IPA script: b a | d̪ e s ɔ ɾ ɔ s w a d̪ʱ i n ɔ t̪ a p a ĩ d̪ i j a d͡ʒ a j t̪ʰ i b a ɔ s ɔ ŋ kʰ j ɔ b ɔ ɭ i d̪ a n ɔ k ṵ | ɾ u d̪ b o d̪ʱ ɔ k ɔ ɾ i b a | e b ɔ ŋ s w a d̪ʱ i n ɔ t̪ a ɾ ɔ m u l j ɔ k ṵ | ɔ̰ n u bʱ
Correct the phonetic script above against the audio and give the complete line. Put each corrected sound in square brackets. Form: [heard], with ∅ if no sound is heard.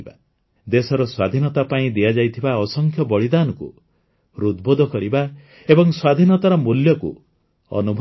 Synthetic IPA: b a | d̪ e s ɔ ɾ ɔ s w a d̪ʱ i n ɔ t̪ a p a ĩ d̪ i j a d͡ʒ a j t̪ʰ i b a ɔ s ɔ ŋ kʰ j ɔ b ɔ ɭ i d̪ a n ɔ k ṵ | ɾ u d̪ b o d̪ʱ ɔ k ɔ ɾ i b a | e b ɔ ŋ s w a d̪ʱ i n ɔ t̪ a ɾ ɔ m u l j ɔ k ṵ | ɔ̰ n u bʱ